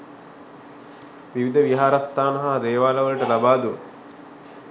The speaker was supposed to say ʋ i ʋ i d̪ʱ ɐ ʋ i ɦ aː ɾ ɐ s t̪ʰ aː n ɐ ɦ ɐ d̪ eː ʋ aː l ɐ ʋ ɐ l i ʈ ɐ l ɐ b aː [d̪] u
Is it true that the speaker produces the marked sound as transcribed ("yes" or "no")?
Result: yes